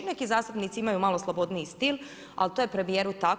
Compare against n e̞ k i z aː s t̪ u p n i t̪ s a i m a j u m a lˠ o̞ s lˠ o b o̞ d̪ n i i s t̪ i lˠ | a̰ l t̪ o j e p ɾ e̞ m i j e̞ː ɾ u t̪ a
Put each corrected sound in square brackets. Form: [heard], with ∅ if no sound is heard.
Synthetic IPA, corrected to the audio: n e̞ k i z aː s t̪ u p n i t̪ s [i] i m a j u m a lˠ o̞ s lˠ o b o̞ d̪ n i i s t̪ i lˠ | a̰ l t̪ o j e p ɾ e̞ m i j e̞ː ɾ u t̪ a

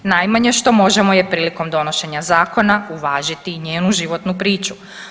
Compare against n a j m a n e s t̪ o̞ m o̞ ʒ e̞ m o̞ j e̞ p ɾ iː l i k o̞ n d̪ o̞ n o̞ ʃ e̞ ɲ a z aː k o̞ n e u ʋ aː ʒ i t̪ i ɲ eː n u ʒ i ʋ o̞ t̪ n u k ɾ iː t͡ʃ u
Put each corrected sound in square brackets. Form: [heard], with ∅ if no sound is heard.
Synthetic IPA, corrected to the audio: n a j m a [ɲ] e [ʃ] t̪ o̞ m o̞ ʒ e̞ m o̞ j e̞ p ɾ iː l i k o̞ [m] d̪ o̞ n o̞ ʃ e̞ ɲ a z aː k o̞ n [a] u ʋ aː ʒ i t̪ i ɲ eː n u ʒ i ʋ o̞ t̪ n u [p] ɾ iː t͡ʃ u

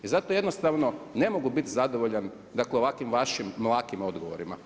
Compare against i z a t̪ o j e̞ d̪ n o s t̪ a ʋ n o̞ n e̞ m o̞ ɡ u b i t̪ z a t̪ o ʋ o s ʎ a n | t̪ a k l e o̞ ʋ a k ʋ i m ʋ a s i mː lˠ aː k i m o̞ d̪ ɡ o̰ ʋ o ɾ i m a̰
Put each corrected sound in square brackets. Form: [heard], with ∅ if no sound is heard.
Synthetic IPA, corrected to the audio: i z a t̪ o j e̞ d̪ n o s t̪ a ʋ n o̞ n e̞ m o̞ ɡ u b i t̪ z a [d̪] o ʋ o [∅] ʎ a n | [d̪] a k l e o̞ ʋ a k ʋ i m ʋ a [ʃ] i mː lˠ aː k i m o̞ d̪ ɡ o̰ ʋ o ɾ i m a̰

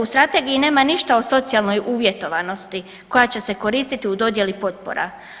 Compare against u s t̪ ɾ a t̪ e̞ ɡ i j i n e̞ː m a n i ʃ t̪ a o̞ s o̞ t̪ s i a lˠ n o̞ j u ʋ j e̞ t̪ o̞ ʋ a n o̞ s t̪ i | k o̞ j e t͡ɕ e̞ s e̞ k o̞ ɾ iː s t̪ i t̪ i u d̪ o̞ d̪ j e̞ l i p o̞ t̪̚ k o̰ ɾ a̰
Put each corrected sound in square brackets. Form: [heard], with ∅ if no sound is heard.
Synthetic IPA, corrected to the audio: u s t̪ ɾ a t̪ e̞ ɡ i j i n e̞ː m a n i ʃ t̪ a o̞ s o̞ t̪ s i a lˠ n o̞ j u ʋ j e̞ t̪ o̞ ʋ a n o̞ s t̪ i | k o̞ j [a] t͡ɕ e̞ s e̞ k o̞ ɾ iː s t̪ i t̪ i u d̪ o̞ d̪ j e̞ l i p o̞ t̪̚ [p] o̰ ɾ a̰

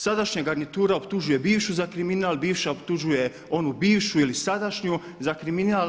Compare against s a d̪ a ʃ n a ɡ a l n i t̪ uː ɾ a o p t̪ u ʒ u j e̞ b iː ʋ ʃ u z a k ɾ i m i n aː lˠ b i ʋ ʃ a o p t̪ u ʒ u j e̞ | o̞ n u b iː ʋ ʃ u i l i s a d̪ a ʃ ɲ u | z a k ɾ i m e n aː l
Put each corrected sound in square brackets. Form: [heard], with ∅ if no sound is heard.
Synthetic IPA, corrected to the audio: s a d̪ a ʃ [ɲ] a ɡ a [ɾ] n i t̪ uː ɾ a o p t̪ u ʒ u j e̞ b iː ʋ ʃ u z a k ɾ i m i n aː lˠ b [iː] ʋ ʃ a o p t̪ u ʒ u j e̞ | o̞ n u b iː ʋ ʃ u i l i s a d̪ a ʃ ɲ u | z a k ɾ i m [i] n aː l

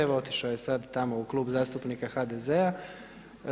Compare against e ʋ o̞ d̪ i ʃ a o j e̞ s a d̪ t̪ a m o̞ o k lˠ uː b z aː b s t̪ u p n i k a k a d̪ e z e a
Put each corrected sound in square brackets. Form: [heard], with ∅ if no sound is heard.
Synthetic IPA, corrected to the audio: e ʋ o̞ [t̪] i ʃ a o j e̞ s a d̪ t̪ a m o̞ [u] k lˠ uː b z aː [∅] s t̪ u p n i k a [x] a d̪ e z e a

